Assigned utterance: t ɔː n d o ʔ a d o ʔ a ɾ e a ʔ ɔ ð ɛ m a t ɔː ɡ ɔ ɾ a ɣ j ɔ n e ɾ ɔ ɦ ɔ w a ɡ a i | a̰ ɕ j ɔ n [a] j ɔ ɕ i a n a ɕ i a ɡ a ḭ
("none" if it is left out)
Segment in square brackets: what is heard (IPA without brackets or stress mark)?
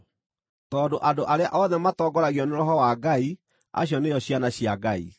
e